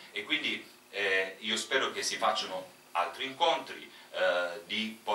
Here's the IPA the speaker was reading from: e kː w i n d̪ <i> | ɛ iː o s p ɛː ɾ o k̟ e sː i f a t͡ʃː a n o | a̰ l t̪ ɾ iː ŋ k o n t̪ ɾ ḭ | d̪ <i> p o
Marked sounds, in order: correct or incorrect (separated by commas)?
correct, correct